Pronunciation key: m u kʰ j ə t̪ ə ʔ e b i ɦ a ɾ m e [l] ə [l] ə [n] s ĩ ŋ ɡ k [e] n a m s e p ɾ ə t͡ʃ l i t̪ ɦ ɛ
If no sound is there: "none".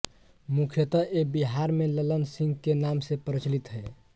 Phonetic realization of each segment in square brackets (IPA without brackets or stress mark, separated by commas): l, l, n, e